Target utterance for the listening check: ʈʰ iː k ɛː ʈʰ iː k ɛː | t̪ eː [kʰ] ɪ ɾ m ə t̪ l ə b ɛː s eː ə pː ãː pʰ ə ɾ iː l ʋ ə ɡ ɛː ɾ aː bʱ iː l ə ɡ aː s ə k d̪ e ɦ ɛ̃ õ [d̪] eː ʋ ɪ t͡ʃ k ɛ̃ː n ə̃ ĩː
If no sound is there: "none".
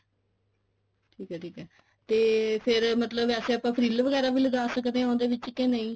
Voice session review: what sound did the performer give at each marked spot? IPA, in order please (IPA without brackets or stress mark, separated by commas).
pʰ, d̪